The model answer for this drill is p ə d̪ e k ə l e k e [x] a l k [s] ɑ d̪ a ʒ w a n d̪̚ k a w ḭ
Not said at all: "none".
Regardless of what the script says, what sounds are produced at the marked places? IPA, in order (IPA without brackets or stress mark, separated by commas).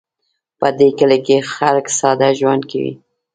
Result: x, s